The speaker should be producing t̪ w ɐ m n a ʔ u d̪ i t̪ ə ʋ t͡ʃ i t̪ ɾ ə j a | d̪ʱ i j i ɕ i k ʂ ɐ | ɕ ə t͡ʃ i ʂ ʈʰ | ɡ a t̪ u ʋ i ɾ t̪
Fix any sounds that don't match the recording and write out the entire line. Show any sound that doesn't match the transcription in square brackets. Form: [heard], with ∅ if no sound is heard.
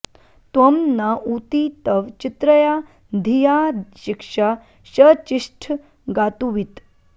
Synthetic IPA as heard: t̪ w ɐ m n a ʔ u [t̪] i t̪ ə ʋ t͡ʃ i t̪ ɾ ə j a | d̪ʱ i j [a] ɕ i k ʂ [a] | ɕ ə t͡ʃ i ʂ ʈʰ | ɡ a t̪ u ʋ i [∅] t̪